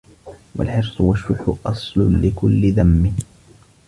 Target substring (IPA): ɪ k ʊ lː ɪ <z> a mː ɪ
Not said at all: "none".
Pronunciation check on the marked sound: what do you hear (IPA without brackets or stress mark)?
ð